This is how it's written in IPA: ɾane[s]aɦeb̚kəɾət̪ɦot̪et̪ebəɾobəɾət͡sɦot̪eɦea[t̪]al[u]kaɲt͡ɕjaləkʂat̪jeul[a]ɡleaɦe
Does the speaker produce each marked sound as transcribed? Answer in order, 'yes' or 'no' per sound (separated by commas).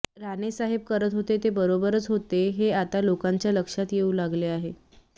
yes, yes, no, yes